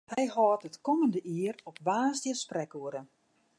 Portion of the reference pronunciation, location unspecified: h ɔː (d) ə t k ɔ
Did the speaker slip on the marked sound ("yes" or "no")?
yes